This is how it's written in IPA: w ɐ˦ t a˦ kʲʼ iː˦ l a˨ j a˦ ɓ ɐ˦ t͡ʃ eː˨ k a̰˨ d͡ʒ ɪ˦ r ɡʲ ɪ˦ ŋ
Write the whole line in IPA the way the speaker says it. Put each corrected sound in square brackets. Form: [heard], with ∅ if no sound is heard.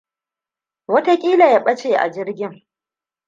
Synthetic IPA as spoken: w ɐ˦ t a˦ kʲʼ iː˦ l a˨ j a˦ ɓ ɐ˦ t͡ʃ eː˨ [ʔ] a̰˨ d͡ʒ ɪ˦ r ɡʲ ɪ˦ ŋ